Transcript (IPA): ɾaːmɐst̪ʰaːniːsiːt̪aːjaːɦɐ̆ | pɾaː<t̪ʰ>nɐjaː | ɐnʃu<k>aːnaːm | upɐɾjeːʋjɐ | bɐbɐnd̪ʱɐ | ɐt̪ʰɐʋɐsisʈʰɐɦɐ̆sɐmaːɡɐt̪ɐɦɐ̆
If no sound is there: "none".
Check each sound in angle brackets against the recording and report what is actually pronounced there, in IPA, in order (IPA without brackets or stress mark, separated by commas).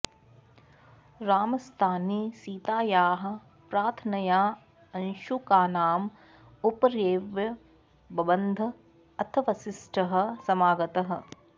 t̪ʰ, k